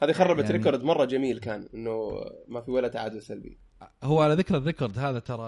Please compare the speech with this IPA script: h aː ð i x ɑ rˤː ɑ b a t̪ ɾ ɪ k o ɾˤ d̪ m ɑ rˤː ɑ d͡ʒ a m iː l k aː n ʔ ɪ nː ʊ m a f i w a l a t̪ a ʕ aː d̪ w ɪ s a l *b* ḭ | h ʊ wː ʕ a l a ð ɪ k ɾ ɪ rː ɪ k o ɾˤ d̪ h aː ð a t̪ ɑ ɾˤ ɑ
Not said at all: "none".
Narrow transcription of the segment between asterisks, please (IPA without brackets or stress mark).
b